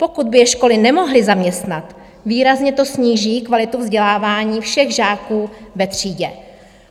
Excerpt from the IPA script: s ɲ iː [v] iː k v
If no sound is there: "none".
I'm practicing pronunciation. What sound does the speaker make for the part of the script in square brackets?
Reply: ʒ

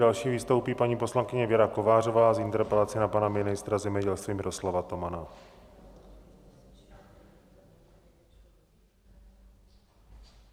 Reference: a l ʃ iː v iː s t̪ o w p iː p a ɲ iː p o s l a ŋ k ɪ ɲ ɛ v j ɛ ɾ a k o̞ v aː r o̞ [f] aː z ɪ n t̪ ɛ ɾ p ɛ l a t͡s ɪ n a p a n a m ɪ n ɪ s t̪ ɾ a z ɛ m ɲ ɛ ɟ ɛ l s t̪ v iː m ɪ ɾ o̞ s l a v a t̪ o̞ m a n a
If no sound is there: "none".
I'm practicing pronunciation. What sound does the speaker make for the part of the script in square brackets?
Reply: v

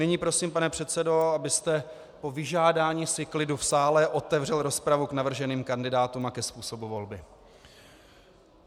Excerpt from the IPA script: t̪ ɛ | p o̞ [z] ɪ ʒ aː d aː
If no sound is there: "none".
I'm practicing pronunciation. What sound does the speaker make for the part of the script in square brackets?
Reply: v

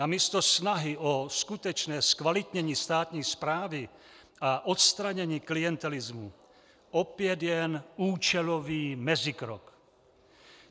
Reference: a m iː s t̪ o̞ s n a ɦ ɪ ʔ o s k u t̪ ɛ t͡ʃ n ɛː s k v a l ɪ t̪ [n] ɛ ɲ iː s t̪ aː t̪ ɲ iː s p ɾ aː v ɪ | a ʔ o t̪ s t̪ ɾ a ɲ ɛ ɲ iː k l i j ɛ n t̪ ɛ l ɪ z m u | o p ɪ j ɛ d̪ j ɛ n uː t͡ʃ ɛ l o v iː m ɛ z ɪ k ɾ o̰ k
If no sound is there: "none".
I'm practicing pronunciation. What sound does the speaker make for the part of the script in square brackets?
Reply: ɲ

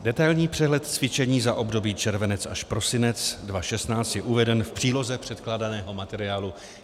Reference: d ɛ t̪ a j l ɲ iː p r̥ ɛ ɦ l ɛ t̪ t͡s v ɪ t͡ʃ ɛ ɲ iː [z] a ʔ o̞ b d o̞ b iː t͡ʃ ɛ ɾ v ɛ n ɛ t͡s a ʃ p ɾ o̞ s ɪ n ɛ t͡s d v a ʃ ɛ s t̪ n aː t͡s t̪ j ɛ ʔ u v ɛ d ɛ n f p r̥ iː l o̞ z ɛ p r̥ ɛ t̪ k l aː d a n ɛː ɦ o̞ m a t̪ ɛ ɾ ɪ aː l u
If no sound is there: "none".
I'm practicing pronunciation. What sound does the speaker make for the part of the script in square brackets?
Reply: z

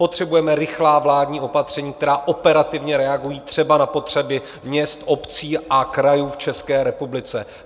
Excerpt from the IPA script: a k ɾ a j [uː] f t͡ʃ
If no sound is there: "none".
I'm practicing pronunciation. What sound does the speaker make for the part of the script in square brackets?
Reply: uː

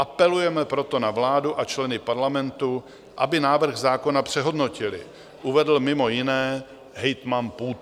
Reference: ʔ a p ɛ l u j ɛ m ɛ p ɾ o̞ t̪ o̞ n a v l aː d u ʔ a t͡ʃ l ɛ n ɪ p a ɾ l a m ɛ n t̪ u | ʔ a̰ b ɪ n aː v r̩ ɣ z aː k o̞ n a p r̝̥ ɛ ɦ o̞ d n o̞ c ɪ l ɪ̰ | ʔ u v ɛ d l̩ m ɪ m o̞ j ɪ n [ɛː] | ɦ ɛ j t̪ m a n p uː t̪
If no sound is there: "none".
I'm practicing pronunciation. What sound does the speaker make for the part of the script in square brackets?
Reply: ɛː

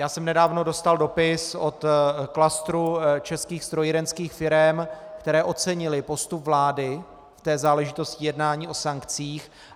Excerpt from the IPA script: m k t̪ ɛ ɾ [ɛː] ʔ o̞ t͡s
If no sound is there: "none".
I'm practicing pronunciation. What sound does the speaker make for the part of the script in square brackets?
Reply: ɛː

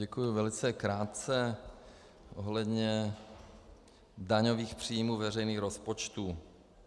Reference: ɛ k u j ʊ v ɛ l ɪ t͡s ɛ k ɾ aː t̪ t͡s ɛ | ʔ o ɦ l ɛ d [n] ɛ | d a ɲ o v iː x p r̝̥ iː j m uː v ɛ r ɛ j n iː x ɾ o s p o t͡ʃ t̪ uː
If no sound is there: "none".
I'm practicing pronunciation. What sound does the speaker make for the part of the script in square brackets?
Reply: ɲ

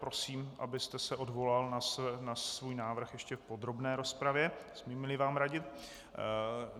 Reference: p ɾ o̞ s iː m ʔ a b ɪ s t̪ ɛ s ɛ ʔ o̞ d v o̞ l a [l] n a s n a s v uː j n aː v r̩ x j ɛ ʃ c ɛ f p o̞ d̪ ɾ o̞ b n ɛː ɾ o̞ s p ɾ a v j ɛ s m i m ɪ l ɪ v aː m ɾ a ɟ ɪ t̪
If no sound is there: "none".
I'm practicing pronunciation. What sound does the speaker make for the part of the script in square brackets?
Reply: l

